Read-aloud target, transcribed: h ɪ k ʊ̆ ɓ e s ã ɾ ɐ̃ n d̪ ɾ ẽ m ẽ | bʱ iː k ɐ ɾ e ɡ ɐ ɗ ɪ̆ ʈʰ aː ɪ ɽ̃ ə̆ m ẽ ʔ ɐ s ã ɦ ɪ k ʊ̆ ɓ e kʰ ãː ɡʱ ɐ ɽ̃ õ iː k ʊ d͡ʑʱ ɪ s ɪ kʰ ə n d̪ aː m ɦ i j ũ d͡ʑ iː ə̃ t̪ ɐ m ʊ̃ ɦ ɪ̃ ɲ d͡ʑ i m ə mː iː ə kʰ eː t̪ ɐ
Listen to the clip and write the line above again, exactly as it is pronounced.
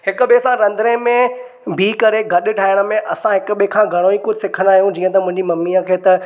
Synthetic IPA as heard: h ɪ k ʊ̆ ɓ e s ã ɾ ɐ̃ n d̪ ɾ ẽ m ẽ | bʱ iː k ɐ ɾ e ɡ ɐ ɗ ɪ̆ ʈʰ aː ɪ ɽ̃ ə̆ m ẽ ʔ ɐ s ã ɦ ɪ k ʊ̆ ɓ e kʰ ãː ɡʱ ɐ ɽ̃ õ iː k ʊ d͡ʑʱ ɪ s ɪ kʰ ə n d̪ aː ɦ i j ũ d͡ʑ iː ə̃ t̪ ɐ m ʊ̃ ɦ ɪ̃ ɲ d͡ʑ i m ɐ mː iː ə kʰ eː t̪ ɐ

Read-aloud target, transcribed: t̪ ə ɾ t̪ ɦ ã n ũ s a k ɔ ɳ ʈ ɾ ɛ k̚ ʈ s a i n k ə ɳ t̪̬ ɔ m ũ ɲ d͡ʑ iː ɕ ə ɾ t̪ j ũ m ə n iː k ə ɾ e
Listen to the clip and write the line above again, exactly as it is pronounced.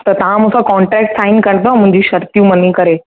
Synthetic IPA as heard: t̪ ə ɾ t̪ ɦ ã m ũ s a k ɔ ɳ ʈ ɾ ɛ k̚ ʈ s a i n k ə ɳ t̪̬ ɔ m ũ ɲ d͡ʑ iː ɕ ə ɾ t̪ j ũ m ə n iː k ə ɾ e

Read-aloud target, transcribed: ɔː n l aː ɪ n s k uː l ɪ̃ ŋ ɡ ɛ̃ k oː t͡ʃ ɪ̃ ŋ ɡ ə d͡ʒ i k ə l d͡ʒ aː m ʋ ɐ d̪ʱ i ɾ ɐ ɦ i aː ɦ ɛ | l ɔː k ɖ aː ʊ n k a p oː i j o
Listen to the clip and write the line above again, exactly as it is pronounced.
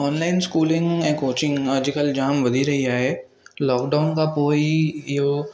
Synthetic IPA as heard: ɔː n l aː ɪ n s k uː l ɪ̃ ŋ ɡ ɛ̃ k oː t͡ʃ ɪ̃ ŋ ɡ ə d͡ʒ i k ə l d͡ʒ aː m ʋ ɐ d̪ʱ i ɾ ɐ ɦ i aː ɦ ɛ | l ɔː k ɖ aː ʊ n k a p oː i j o

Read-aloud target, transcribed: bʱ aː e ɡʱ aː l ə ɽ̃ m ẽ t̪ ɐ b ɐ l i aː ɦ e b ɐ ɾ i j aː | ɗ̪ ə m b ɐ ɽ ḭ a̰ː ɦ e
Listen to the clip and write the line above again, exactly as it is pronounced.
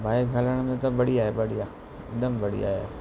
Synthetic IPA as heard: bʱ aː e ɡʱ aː l ə ɽ̃ m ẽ t̪ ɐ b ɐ ɽ i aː ɦ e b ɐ ɽ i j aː | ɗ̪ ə m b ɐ ɽ ḭ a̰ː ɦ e

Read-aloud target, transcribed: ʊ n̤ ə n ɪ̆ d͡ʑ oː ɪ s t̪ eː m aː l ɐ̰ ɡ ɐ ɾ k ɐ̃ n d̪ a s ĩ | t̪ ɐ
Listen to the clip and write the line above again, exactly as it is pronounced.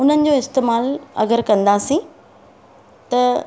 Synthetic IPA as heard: ʊ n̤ ə n ɪ̆ d͡ʑ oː ɪ s t̪ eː m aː l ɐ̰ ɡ ə ɾ k ɐ̃ n d̪ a s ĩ | t̪ ɐ

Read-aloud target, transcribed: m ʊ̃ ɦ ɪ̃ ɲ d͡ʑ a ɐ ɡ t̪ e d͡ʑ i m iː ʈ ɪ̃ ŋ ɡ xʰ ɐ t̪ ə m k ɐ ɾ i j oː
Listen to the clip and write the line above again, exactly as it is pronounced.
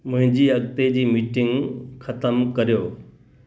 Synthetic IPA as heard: m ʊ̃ ɦ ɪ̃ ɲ d͡ʑ i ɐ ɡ t̪ e d͡ʑ iː m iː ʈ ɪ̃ ŋ ɡ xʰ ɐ t̪ ə m k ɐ ɾ i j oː

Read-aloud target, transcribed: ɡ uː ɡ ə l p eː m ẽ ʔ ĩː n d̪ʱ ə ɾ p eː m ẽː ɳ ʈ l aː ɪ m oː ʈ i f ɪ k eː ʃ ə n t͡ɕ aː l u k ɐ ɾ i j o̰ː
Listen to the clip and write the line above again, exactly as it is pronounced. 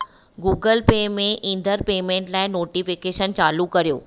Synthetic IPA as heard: ɡ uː ɡ ə l p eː m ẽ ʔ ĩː n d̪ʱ ə ɾ p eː m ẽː ɳ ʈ l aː ɪ n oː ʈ i f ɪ k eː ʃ ə n t͡ɕ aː l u k ɐ ɾ i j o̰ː

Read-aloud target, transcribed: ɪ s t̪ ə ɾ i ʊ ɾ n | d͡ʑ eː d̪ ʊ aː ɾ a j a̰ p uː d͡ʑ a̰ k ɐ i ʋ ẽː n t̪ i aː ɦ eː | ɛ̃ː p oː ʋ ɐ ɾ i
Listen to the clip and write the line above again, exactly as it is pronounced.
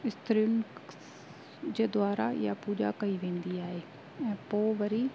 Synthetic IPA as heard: ɪ s t̪ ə ɾ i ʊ n | d͡ʑ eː d̪ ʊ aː ɾ a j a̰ p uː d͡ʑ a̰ k ɐ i ʋ ẽː n d̪ i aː ɦ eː | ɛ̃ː p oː ʋ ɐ ɾ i

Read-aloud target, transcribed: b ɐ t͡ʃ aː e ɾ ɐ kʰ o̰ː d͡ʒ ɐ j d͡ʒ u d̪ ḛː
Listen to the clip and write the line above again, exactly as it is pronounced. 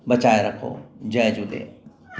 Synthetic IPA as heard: b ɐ t͡ʃ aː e ɾ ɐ kʰ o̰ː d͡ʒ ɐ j d͡ʒ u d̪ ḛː

